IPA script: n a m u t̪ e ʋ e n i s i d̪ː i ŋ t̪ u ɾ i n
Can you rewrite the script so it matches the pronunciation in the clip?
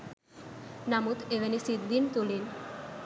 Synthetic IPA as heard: n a m u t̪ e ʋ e n i s i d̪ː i n t̪ u l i n